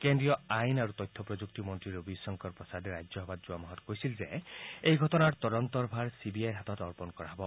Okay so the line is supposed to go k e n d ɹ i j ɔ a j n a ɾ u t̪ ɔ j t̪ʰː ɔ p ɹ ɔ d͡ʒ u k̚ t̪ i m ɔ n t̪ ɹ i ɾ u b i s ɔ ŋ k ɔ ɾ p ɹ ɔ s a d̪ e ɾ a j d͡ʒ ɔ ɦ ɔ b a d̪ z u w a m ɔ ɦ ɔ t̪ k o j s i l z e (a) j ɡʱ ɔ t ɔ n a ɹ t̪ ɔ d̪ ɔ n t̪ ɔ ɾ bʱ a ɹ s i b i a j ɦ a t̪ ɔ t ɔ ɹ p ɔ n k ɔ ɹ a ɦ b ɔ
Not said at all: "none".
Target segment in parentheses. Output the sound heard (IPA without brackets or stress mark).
e